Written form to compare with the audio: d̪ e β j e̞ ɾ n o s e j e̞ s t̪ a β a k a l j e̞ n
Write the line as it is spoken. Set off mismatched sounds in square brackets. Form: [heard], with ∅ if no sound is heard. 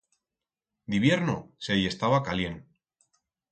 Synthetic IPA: d̪ [i] β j e̞ ɾ n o s e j e̞ s t̪ a β a k a l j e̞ n